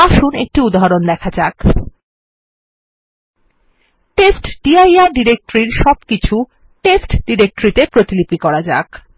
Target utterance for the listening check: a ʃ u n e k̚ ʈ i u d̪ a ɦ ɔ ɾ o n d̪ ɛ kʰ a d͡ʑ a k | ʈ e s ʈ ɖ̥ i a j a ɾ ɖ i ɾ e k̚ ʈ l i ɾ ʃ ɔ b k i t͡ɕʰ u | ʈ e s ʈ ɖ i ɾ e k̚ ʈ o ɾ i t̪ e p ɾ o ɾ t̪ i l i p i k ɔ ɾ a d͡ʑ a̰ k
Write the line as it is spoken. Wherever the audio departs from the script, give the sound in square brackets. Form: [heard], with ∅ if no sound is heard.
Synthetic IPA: a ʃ u n e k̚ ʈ i u d̪ a ɦ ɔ ɾ o n d̪ ɛ kʰ a d͡ʑ a k | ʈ e s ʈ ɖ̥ i a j a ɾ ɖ i ɾ e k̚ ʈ [ɾ] i ɾ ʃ ɔ b k i t͡ɕʰ u | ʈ e s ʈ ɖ i ɾ e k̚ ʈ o ɾ i t̪ e p ɾ o [∅] t̪ i l i p i k ɔ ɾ a d͡ʑ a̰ k